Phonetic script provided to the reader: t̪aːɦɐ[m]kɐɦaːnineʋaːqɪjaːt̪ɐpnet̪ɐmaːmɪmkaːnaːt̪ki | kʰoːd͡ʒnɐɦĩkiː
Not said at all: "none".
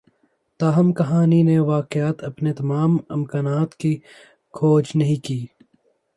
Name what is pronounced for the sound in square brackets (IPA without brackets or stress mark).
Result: m